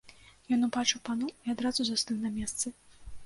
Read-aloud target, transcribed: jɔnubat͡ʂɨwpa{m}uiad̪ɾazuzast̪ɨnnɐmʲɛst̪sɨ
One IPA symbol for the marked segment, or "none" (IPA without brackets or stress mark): n